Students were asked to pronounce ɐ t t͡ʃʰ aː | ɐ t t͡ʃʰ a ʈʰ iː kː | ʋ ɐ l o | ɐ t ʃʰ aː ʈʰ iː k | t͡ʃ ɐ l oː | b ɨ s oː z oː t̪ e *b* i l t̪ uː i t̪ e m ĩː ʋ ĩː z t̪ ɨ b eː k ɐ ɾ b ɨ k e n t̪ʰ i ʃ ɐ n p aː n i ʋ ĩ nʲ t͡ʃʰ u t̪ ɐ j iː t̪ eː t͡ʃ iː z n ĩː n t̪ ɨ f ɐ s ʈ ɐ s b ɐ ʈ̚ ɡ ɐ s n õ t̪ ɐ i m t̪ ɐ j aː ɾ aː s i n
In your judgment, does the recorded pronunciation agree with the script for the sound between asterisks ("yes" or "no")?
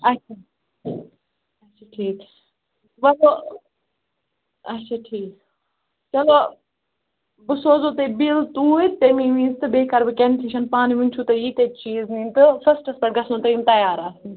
yes